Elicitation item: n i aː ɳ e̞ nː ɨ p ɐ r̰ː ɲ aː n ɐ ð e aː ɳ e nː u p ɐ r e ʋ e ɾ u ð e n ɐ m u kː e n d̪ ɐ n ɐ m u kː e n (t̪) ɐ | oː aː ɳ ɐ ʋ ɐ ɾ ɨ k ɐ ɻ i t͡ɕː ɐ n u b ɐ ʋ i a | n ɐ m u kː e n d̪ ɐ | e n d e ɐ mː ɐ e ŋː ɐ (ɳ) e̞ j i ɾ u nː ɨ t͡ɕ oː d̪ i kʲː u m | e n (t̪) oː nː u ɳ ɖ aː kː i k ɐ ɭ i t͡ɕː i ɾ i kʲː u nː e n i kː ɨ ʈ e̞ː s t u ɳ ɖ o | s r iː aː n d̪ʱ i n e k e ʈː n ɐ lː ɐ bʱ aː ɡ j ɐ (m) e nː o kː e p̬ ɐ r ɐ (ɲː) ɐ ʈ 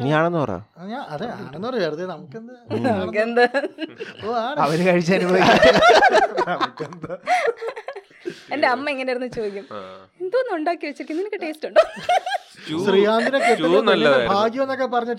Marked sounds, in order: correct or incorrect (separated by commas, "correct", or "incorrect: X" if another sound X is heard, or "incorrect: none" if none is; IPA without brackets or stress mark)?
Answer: incorrect: d̪, incorrect: n, incorrect: d̪, correct, correct